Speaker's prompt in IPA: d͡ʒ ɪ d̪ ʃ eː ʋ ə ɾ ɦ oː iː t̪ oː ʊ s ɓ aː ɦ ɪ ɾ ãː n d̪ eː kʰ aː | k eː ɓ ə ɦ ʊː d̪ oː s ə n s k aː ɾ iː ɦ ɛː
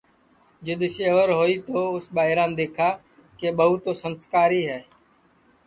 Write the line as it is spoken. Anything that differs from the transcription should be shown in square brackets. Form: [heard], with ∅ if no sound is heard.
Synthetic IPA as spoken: d͡ʒ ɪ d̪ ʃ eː ʋ ə ɾ ɦ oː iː t̪ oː ʊ s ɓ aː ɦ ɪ ɾ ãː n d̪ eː kʰ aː | k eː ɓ ə ɦ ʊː [t̪] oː s ə n s k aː ɾ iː ɦ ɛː